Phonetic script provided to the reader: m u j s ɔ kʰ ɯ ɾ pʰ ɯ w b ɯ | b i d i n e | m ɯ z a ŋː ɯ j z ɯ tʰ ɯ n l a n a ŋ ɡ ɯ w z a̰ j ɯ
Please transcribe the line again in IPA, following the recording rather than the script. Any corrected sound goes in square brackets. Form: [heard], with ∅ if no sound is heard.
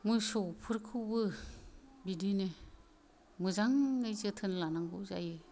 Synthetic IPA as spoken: m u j s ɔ [pʰ] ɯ ɾ [kʰ] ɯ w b ɯ | b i d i n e | m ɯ z a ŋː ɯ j z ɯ tʰ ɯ n l a n a ŋ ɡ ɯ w z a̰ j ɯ